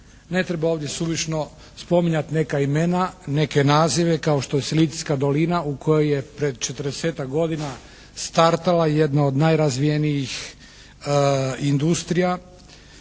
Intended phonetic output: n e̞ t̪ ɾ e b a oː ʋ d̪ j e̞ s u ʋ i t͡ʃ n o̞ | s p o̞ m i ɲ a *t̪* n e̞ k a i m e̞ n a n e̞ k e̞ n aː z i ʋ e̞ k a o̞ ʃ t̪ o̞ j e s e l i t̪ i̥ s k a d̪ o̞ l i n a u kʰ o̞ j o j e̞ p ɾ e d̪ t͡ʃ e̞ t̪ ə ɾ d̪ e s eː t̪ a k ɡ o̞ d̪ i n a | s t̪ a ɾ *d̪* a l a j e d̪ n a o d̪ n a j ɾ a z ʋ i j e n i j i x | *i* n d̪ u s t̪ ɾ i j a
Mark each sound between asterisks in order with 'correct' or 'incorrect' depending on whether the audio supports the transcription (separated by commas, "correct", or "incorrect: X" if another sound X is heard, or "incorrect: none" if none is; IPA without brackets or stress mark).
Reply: correct, incorrect: t̪, correct